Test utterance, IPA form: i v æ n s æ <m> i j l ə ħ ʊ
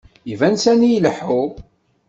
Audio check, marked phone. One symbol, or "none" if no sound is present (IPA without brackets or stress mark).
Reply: n